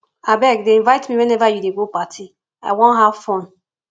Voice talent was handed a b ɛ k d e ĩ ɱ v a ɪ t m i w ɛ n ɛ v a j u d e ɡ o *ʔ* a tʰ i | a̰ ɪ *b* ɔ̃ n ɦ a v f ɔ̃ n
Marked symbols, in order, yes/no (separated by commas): no, no